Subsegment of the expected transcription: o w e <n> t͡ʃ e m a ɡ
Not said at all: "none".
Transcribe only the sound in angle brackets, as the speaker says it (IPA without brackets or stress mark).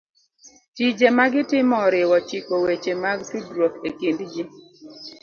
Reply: none